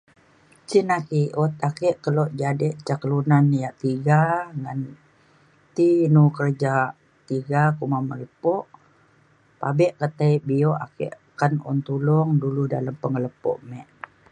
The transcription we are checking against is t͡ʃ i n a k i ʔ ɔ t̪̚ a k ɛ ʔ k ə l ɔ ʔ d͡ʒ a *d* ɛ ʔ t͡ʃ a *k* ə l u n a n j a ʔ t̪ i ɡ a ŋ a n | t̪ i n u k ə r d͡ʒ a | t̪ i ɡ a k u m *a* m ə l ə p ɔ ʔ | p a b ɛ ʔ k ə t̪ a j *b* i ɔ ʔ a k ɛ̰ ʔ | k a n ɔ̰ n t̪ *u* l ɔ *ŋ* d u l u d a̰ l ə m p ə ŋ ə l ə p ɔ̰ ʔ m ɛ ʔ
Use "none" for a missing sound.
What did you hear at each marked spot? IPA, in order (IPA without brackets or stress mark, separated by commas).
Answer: d, k, a, b, u, ŋ